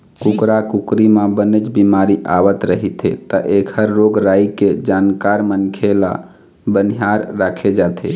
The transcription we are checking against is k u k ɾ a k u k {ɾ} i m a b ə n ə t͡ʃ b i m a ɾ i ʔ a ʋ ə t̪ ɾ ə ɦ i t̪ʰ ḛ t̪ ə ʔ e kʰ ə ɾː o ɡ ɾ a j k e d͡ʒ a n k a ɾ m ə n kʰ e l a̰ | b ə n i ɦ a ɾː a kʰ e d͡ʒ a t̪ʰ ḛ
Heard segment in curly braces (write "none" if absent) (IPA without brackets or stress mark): ɾ